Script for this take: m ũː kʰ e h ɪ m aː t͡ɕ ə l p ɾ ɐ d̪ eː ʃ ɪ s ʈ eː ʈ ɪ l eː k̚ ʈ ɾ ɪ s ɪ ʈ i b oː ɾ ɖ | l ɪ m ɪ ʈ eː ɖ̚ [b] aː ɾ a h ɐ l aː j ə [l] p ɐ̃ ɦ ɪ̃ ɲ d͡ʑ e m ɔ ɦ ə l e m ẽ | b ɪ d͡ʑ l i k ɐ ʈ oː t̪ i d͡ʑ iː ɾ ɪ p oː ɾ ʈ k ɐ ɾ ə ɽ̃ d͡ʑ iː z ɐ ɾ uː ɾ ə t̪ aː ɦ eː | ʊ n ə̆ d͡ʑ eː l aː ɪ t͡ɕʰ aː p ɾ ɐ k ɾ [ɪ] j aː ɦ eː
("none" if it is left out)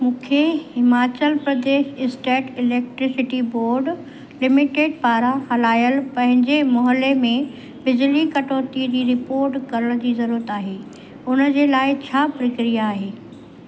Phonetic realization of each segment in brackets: p, l, i

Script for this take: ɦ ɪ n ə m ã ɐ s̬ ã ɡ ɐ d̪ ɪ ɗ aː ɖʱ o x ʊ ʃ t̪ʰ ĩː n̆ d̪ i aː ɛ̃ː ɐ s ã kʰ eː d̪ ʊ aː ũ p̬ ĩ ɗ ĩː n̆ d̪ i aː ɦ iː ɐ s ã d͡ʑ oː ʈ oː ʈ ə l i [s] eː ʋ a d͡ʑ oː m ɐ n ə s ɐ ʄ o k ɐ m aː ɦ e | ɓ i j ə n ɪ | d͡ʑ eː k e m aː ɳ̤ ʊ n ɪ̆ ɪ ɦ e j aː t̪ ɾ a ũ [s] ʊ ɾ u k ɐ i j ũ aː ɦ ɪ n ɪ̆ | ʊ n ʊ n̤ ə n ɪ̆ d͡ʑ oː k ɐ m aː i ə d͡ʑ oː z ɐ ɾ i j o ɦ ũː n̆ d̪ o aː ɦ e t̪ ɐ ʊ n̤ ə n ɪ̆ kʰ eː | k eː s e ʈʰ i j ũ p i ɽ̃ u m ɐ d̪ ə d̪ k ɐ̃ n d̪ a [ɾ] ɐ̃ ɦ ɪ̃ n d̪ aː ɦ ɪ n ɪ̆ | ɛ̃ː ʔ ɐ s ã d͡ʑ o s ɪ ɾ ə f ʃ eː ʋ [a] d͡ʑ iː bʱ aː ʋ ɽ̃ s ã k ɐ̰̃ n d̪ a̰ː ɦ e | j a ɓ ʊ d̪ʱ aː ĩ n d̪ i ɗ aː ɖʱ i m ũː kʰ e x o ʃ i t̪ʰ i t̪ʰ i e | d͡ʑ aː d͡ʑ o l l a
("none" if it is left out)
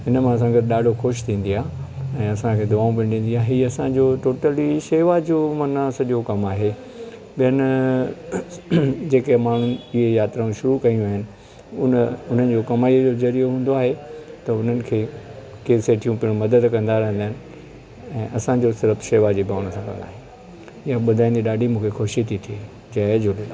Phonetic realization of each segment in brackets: ʃ, ʃ, ɾ, a

